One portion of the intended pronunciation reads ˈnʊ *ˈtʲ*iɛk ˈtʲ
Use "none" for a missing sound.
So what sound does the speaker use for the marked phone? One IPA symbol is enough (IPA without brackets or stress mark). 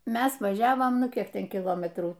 kʲ